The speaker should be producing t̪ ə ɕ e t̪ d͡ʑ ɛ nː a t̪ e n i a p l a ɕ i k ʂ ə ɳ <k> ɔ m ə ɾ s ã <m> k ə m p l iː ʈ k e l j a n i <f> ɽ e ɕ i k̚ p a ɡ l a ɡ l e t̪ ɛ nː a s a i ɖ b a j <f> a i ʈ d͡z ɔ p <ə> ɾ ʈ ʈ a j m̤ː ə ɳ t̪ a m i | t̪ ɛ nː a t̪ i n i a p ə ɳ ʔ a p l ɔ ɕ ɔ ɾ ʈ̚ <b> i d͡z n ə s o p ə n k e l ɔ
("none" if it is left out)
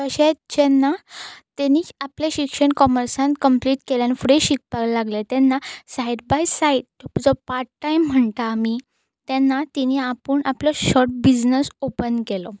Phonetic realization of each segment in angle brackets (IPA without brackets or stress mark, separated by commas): k, n, f, s, a, b